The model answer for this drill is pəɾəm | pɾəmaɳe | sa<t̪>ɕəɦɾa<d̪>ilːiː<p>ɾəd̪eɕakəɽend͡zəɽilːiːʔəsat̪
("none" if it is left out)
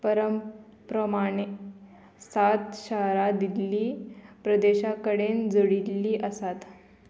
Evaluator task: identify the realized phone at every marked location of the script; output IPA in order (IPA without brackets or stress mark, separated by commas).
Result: t̪, d̪, p